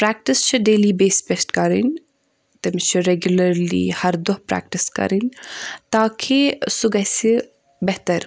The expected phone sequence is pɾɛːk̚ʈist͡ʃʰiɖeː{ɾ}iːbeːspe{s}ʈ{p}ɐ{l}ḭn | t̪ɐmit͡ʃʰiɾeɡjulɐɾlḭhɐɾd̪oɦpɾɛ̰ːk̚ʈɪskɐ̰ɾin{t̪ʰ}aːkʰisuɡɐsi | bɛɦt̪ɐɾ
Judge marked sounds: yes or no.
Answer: no, yes, no, no, no

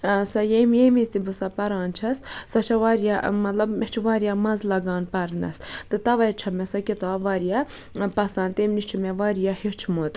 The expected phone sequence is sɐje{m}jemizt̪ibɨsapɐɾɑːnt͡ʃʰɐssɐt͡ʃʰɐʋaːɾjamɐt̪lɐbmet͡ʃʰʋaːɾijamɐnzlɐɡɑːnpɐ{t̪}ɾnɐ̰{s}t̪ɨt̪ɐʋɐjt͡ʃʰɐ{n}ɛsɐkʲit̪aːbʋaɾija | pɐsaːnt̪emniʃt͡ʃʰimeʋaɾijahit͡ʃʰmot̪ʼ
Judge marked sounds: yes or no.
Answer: yes, no, yes, no

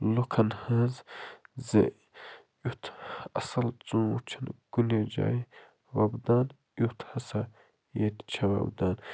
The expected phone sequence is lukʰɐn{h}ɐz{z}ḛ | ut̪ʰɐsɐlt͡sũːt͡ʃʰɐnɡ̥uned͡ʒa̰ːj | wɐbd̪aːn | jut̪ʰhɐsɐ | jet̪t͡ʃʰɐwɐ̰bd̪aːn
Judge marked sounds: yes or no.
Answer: yes, yes

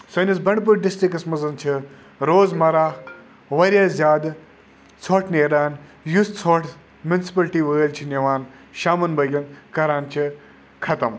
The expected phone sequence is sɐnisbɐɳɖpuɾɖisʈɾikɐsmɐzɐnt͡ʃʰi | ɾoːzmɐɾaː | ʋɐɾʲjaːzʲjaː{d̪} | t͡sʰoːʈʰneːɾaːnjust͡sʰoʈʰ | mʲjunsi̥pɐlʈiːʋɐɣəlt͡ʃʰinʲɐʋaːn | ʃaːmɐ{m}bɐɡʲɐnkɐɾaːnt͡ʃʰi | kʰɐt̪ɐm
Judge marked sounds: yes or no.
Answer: yes, no

